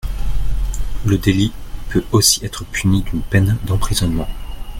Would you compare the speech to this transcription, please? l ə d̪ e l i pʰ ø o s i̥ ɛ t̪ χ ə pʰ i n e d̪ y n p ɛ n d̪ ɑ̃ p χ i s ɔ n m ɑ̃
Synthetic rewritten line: l ə d̪ e l i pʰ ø o s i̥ ɛ t̪ χ ə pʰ y n i d̪ y n p ɛ n d̪ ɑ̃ p χ i z ɔ n m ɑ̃